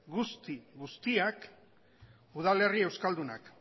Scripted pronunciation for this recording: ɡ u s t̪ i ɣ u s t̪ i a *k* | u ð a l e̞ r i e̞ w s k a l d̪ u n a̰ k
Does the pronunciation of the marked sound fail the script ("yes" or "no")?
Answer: no